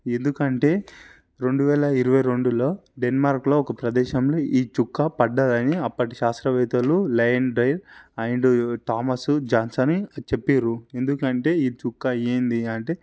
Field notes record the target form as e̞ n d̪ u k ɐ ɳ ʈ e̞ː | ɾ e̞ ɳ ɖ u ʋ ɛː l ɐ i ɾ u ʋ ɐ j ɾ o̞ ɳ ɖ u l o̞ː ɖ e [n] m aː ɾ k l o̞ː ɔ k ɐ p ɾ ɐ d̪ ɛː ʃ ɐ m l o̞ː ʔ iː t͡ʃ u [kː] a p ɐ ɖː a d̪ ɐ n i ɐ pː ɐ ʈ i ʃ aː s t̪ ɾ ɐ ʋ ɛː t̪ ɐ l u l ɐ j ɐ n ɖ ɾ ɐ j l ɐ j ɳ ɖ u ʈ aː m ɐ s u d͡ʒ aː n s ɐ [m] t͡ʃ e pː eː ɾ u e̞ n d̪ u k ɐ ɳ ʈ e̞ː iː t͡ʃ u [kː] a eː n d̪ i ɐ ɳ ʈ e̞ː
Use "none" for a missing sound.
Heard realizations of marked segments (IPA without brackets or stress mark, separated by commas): n, kː, n, kː